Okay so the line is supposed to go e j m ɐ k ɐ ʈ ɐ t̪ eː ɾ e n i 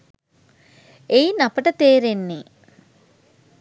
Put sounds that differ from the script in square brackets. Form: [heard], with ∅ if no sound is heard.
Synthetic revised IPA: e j [n] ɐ [p] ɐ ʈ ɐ t̪ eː ɾ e [nː] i